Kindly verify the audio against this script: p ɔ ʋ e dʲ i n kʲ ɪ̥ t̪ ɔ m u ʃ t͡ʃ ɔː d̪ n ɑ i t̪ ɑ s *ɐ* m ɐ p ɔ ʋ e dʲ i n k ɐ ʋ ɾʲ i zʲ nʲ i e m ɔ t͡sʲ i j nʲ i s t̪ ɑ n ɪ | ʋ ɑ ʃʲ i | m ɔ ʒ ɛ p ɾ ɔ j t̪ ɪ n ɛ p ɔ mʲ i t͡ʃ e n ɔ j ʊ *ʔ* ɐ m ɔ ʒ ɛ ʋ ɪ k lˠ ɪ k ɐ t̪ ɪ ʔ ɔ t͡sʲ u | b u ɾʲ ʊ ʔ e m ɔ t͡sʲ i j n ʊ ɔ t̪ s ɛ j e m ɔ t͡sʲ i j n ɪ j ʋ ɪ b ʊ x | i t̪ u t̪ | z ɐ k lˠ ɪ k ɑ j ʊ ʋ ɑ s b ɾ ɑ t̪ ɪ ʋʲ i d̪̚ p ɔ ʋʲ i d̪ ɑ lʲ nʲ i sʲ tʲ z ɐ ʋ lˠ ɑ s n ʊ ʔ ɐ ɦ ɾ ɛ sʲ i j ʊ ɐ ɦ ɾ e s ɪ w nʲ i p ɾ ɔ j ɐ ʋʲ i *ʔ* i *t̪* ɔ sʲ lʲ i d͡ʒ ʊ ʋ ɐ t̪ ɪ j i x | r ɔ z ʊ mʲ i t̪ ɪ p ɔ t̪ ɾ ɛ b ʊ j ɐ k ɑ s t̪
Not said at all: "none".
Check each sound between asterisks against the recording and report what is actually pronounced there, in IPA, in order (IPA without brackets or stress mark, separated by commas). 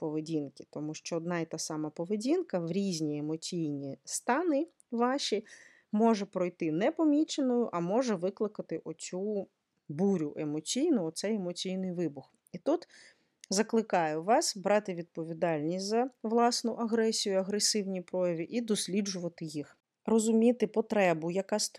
ɑ, ʔ, ʔ, d̪